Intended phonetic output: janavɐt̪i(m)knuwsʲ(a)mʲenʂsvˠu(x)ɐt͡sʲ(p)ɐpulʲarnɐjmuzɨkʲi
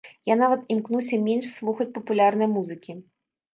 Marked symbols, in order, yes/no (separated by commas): yes, no, yes, yes